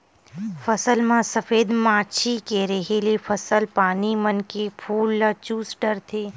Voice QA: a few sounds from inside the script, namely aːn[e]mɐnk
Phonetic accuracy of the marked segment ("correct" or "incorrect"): incorrect